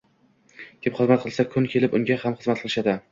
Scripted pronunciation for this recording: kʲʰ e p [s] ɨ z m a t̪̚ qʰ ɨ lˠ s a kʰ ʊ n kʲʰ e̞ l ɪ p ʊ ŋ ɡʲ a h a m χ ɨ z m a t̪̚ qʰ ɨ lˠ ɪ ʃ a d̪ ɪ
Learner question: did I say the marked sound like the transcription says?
no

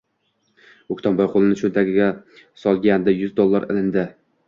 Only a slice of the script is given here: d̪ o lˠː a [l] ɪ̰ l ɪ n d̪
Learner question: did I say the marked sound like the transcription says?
no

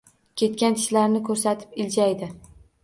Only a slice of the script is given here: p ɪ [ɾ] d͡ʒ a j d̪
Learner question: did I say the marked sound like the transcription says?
no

